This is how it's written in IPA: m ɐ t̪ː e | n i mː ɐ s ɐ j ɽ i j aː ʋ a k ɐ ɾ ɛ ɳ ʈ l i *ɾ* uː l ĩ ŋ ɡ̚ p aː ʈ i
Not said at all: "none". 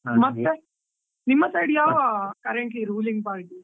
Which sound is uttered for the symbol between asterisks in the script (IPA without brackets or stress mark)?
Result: ɾ